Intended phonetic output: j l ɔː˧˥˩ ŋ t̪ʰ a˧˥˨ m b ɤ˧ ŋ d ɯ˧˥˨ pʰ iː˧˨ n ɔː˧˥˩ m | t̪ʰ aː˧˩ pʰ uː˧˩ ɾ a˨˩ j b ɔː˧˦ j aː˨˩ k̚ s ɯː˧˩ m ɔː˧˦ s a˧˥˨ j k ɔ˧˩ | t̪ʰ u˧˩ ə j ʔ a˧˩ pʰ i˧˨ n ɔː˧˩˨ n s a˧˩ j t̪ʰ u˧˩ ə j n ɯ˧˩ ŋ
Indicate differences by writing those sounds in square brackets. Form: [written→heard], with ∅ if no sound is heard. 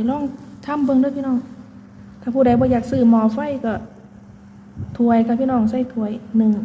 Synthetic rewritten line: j l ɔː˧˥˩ ŋ t̪ʰ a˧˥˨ m b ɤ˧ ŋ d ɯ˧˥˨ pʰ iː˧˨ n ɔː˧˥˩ [m→ŋ] | t̪ʰ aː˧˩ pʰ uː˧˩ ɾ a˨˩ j b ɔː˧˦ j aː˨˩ k̚ s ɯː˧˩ m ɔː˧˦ [s→f] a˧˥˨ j k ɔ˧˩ | t̪ʰ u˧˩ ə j [ʔ→k] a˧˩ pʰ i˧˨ n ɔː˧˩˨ [n→ŋ] s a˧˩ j t̪ʰ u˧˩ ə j n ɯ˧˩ ŋ